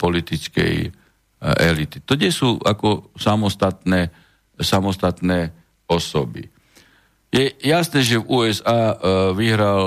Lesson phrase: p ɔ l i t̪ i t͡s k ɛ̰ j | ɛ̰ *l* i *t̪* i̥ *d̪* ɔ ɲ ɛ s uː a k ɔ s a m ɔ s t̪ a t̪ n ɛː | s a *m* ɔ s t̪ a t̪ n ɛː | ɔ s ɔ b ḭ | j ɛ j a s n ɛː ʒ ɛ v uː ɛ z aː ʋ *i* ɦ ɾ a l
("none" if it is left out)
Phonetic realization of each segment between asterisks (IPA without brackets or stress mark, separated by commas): l, t̪, t̪, m, i